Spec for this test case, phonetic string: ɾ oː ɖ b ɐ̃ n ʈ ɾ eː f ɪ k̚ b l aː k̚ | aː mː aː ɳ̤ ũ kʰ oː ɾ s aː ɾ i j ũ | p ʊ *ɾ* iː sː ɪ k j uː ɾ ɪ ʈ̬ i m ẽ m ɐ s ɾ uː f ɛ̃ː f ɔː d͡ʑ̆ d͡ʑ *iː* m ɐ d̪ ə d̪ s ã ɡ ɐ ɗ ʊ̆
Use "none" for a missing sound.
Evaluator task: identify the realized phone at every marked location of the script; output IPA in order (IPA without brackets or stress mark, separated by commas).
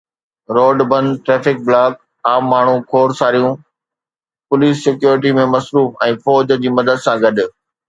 l, iː